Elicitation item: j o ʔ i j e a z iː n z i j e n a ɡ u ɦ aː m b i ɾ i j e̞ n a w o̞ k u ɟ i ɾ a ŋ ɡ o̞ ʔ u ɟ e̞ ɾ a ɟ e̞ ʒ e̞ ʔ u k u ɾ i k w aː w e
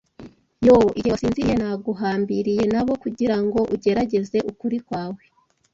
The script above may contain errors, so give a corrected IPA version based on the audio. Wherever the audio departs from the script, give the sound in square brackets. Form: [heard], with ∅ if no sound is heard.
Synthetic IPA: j o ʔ i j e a [s] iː n z i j e n a ɡ u ɦ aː m b i ɾ i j e̞ n a [β] o̞ k u ɟ i ɾ a ŋ ɡ o̞ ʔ u ɟ e̞ ɾ a ɟ e̞ [z] e̞ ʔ u k u ɾ i k w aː w e